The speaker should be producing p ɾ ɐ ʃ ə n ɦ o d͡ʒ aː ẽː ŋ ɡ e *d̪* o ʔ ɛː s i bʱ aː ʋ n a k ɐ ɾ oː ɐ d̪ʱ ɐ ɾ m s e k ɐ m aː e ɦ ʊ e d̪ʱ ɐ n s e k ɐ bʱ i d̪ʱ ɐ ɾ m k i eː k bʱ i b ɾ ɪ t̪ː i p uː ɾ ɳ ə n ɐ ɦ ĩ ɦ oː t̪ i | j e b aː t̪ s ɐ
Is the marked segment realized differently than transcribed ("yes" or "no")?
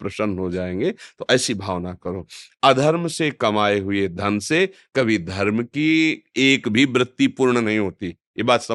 yes